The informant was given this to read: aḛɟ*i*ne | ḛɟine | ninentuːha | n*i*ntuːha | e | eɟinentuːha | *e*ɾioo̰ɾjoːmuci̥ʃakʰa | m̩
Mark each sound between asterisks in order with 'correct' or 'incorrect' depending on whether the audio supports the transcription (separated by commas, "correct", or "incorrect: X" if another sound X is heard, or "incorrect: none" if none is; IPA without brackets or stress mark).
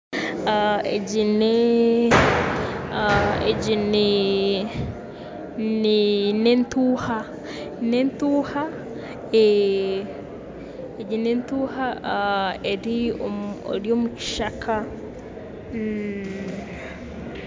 correct, incorrect: e, correct